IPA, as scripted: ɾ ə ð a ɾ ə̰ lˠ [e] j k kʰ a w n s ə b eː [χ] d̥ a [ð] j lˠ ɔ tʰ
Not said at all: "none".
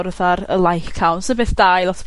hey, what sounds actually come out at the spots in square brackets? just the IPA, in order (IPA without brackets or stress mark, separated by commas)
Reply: a, θ, none